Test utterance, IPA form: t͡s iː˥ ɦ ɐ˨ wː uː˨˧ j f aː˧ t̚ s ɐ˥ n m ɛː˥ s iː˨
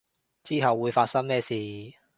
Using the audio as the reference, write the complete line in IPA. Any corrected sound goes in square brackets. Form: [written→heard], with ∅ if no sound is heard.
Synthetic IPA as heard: t͡s iː˥ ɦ ɐ˨ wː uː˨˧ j f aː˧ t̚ s ɐ˥ [n→ŋ] m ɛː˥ s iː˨